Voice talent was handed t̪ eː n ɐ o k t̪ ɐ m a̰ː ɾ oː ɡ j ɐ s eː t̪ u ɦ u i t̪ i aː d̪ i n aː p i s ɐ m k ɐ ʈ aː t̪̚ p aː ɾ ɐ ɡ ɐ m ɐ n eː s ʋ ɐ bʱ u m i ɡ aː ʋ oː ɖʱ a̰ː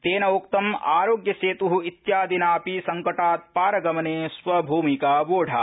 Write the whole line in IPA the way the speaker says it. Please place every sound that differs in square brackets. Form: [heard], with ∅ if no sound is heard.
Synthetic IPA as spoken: t̪ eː n ɐ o k t̪ ɐ m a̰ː ɾ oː ɡ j ɐ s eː t̪ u ɦ u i t̪ [j] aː d̪ i n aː p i s ɐ [ŋ] k ɐ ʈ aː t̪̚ p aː ɾ ɐ ɡ ɐ m ɐ n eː s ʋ ɐ bʱ [uː] m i [k] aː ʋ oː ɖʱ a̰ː

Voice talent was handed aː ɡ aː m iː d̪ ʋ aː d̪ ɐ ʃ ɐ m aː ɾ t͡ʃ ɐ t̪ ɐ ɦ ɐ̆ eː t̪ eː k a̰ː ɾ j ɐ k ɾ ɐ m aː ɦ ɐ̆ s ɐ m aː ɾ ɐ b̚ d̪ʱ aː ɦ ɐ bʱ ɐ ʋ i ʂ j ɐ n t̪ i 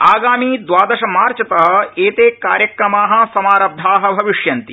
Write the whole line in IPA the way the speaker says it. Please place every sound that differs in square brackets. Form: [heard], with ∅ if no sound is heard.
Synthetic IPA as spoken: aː ɡ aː m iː d̪ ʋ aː d̪ ɐ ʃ ɐ m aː ɾ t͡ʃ ɐ t̪ ɐ ɦ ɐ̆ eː t̪ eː k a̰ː ɾ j ɐ k ɾ ɐ m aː ɦ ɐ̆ s ɐ m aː ɾ ɐ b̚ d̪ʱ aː ɦ ɐ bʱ ɐ ʋ i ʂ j ɐ n t̪ i

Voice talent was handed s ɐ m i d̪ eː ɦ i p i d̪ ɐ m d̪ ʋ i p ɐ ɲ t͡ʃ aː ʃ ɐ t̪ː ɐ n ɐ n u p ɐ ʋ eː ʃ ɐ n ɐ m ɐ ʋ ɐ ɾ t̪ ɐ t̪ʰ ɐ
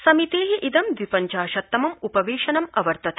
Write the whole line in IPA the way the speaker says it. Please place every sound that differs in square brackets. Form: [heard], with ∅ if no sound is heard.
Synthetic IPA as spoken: s ɐ m i [t̪] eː ɦ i [ʔ] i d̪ ɐ m d̪ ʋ i p ɐ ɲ t͡ʃ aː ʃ ɐ t̪ː ɐ [m] ɐ [m] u p ɐ ʋ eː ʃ ɐ n ɐ m ɐ ʋ ɐ ɾ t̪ ɐ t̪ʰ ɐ

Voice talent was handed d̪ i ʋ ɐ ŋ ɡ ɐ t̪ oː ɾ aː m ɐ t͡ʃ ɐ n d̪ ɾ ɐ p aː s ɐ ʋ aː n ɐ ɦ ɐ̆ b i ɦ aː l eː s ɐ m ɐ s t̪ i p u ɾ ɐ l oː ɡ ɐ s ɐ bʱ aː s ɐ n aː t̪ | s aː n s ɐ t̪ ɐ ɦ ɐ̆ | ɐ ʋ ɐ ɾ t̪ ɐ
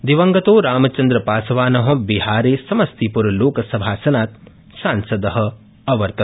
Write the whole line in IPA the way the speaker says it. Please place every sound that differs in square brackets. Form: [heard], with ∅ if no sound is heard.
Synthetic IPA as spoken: d̪ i ʋ ɐ ŋ ɡ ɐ t̪ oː ɾ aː m ɐ t͡ʃ ɐ n d̪ ɾ ɐ p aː s ɐ ʋ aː n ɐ ɦ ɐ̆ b i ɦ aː [ɾ] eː s ɐ m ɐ s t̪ i p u ɾ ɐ l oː [k] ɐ s ɐ bʱ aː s ɐ n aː t̪ | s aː n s ɐ [d̪] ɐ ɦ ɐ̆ | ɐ ʋ ɐ ɾ t̪ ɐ

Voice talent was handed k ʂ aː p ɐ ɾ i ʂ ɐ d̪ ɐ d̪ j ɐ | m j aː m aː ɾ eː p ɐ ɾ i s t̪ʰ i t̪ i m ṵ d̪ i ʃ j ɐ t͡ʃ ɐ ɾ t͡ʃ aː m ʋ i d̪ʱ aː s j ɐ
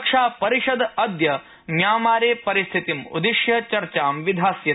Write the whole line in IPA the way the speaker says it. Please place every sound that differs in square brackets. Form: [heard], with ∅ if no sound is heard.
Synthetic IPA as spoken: k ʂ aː p ɐ ɾ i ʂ ɐ d̪ ɐ d̪ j ɐ | m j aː m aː ɾ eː p ɐ ɾ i s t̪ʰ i t̪ i m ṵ d̪ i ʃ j ɐ t͡ʃ ɐ ɾ t͡ʃ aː m ʋ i d̪ʱ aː s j ɐ

